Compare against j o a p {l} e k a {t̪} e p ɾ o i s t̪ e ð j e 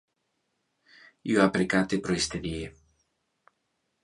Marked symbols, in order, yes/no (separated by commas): no, yes